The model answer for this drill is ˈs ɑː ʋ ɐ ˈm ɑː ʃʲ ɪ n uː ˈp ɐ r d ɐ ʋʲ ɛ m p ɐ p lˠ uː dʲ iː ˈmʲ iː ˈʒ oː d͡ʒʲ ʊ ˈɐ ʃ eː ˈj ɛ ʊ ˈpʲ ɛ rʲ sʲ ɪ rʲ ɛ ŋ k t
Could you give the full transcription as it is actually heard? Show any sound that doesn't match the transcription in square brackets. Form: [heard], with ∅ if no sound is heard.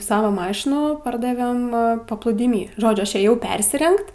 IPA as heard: ˈs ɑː ʋ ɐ ˈm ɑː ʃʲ ɪ n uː ˈp ɐ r d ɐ ʋʲ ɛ m p ɐ p lˠ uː dʲ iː ˈmʲ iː ˈʒ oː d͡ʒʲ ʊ ˈɐ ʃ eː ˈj ɛ ʊ ˈpʲ ɛ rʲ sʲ ɪ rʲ ɛ ŋ k t